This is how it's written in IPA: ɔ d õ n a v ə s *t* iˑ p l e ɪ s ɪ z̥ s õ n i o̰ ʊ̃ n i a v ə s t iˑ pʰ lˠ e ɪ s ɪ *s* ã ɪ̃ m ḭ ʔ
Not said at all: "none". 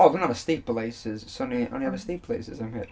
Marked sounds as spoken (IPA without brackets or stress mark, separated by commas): t, z